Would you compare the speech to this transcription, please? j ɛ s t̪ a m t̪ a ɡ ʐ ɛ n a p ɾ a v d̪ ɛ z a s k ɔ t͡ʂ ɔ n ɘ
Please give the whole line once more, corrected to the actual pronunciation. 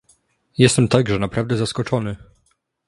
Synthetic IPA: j ɛ s t̪ ɛ m t̪ a ɡ ʐ ɛ n a p ɾ a v d̪ ɛ z a s k ɔ t͡ʂ ɔ n ɘ